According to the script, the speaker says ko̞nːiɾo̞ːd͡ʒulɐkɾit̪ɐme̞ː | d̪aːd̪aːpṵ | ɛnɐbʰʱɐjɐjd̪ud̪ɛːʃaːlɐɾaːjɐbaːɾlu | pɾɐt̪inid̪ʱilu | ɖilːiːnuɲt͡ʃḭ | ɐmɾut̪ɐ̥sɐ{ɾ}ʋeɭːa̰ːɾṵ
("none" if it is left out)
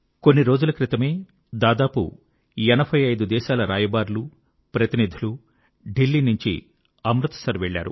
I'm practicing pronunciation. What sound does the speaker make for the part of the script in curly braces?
ɾ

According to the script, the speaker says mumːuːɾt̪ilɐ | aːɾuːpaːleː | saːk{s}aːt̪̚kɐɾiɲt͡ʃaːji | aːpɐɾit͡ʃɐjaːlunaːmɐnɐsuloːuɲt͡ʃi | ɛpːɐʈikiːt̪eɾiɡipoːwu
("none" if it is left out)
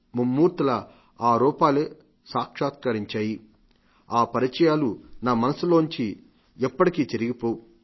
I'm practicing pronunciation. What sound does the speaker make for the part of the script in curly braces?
ʂ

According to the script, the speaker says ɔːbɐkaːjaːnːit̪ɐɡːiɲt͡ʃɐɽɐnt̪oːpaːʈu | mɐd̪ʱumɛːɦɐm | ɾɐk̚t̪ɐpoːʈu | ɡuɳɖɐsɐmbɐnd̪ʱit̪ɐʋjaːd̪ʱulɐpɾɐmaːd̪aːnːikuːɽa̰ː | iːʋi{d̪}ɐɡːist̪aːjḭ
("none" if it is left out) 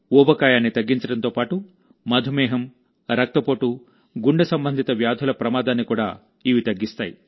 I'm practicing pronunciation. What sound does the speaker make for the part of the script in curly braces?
t̪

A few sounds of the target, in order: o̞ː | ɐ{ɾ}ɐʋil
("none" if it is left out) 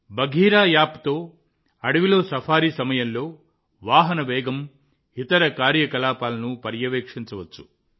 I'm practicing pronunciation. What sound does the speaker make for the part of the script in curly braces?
ɽ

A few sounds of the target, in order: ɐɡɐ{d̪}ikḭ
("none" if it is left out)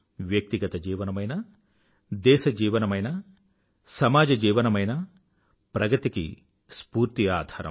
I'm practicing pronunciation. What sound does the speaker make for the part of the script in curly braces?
t̪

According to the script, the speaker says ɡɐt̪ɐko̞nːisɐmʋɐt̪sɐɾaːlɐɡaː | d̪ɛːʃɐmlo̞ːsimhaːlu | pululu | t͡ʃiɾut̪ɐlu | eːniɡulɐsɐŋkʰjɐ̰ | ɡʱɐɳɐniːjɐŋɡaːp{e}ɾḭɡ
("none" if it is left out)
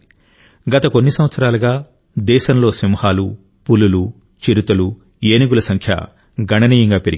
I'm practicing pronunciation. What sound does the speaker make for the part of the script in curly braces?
e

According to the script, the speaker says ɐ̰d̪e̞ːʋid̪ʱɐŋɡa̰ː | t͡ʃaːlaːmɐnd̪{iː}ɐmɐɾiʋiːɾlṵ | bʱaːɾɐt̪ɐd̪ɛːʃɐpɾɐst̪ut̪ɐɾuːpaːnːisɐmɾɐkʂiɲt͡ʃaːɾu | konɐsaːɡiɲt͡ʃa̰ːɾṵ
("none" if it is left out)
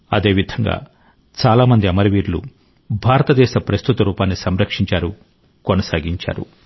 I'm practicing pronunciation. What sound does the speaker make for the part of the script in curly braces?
i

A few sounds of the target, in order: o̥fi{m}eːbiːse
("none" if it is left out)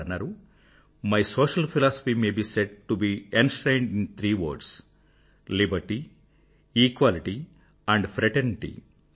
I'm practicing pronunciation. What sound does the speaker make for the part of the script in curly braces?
m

